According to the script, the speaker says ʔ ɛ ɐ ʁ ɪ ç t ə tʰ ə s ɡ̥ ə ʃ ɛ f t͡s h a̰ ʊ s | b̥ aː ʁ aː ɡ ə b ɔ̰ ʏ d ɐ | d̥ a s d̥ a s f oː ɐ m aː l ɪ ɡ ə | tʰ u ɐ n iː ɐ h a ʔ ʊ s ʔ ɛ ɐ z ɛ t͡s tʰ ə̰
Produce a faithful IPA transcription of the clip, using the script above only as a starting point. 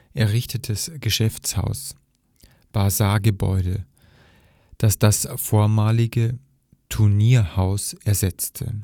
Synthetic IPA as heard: ʔ ɛ ɐ ʁ ɪ ç t ə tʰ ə s ɡ̥ ə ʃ ɛ f t͡s h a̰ ʊ s | b̥ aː z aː ɡ ə b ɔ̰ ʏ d ə | d̥ a s d̥ a s f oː ɐ m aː l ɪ ɡ ə | tʰ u ɐ n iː ɐ h a ʊ s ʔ ɛ ɐ z ɛ t͡s tʰ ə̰